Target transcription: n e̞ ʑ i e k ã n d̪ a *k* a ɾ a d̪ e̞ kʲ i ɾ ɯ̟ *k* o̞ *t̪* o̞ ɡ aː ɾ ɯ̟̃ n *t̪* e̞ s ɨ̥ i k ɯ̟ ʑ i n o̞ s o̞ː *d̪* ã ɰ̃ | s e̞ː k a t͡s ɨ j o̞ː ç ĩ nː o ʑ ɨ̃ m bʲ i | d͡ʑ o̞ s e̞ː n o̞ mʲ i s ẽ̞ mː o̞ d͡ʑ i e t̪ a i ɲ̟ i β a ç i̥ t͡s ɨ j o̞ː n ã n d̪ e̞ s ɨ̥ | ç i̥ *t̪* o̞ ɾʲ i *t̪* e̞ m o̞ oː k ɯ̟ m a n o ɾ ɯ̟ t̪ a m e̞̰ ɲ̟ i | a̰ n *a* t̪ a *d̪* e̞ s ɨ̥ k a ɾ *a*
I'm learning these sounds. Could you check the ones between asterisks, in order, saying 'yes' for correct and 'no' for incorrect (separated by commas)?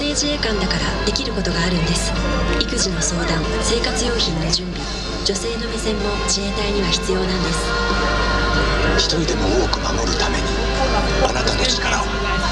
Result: yes, yes, yes, no, yes, yes, no, yes, yes, yes